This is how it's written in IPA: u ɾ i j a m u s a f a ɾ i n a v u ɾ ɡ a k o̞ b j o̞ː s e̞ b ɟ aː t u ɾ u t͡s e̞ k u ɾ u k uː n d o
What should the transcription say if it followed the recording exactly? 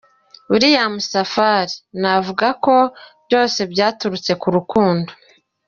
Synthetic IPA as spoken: u ɾ i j a m u s a f a ɾ i n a v u ɡ a k o̞ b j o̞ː s e̞ b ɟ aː t u ɾ u t͡s e̞ k u ɾ u k uː n d o

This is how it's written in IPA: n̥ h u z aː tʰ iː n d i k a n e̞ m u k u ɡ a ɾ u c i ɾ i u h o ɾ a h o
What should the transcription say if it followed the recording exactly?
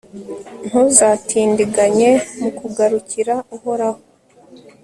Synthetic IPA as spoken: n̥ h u z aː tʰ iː n d i ɡ a ɲ e̞ m u k u ɡ a ɾ u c i ɾ a u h o ɾ a h o

